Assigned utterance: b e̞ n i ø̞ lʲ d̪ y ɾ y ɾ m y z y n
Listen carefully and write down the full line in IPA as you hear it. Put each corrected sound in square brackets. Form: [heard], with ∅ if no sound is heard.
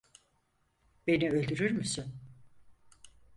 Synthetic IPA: b e̞ n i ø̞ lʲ d̪ y ɾ y ɾ m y [s] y n